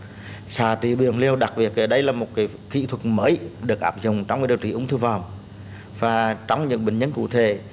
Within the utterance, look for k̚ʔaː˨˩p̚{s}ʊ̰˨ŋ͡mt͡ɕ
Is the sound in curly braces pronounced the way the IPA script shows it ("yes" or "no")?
no